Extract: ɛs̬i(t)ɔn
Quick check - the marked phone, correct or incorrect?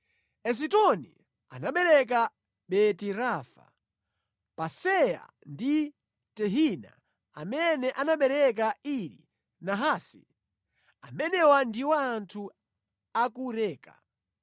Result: correct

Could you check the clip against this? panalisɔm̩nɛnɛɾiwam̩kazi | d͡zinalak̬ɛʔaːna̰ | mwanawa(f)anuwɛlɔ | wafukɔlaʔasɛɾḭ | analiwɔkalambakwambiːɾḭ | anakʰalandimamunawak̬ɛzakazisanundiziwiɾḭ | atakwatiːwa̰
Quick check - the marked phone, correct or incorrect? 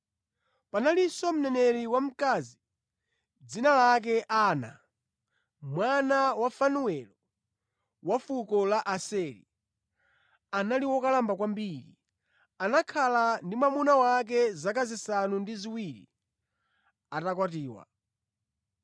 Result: correct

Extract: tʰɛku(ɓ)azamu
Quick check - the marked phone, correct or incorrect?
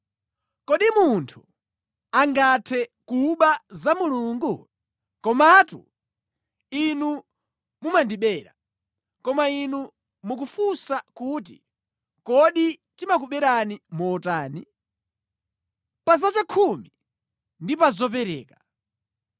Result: correct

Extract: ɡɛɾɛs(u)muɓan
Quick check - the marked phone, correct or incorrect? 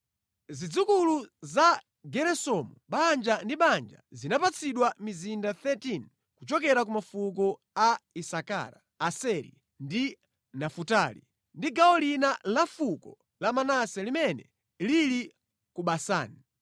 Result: incorrect: ɔ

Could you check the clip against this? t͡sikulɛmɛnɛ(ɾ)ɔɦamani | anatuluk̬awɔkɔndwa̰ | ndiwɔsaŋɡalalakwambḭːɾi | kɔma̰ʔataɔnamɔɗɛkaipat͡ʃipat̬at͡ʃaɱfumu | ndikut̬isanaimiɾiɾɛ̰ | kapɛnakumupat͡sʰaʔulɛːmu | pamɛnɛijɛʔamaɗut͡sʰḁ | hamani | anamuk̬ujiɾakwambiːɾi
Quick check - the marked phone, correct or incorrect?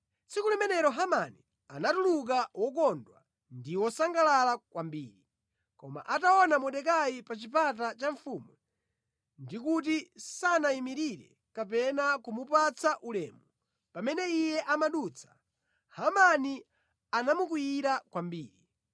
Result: correct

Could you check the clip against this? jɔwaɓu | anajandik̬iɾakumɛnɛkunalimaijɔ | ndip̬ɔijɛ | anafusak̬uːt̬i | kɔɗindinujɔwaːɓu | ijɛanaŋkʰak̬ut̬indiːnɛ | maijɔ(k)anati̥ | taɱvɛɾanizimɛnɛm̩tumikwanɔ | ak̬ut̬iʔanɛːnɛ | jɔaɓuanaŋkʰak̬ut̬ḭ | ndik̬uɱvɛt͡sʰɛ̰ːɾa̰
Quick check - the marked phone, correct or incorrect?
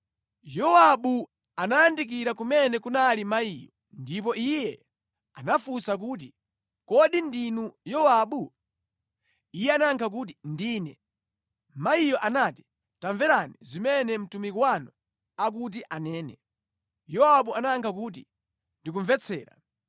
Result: incorrect: ʔ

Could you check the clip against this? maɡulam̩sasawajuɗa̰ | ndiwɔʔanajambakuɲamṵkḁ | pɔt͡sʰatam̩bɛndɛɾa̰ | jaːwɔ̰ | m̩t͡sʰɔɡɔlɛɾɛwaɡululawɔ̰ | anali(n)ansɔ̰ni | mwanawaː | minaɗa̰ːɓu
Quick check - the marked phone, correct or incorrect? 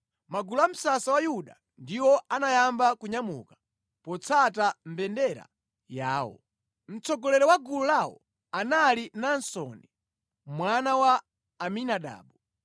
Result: correct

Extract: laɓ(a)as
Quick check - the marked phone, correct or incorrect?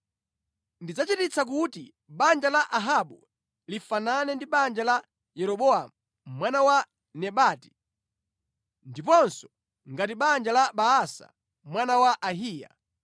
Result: correct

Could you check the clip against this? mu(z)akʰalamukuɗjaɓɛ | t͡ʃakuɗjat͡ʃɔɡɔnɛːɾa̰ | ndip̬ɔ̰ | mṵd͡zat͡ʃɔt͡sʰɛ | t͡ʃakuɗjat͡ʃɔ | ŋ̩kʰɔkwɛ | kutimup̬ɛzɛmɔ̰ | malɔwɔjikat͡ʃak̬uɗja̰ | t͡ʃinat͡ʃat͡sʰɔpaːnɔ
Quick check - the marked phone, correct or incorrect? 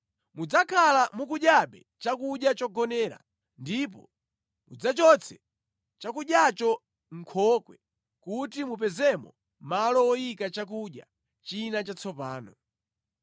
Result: incorrect: d͡z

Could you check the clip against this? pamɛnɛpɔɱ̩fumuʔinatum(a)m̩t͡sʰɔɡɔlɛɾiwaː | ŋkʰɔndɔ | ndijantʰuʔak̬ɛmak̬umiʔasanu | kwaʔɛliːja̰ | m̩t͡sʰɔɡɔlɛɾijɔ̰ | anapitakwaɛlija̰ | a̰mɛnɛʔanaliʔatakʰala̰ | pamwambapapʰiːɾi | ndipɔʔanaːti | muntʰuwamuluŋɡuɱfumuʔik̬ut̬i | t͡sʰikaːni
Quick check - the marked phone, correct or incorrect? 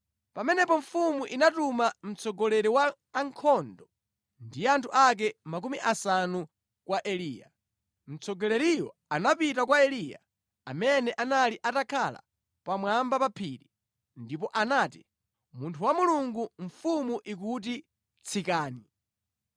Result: correct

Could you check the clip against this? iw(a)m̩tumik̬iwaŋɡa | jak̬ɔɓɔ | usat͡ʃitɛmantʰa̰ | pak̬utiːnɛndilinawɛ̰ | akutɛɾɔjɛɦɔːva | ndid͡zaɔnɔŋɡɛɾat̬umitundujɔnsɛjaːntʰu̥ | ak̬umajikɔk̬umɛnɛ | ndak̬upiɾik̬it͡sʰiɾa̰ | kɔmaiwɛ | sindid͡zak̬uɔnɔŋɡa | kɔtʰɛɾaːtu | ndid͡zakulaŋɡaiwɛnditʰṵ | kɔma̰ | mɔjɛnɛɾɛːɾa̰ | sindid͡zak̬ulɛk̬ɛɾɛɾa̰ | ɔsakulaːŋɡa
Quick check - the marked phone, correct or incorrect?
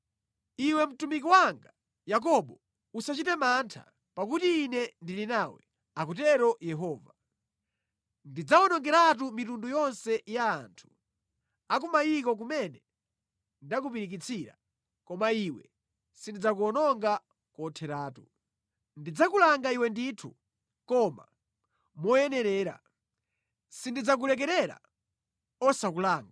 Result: incorrect: ɛ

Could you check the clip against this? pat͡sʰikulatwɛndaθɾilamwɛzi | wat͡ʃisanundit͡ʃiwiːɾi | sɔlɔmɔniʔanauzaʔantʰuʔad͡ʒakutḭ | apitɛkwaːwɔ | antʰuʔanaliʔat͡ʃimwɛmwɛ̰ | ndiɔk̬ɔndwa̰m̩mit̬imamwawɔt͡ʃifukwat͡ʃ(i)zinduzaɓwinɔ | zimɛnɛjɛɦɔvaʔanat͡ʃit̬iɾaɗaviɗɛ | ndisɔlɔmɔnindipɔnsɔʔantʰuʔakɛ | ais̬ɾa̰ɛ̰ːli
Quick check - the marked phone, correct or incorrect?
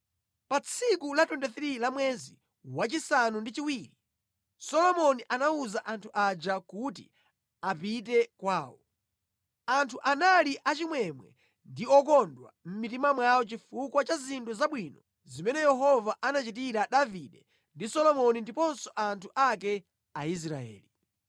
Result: incorrect: a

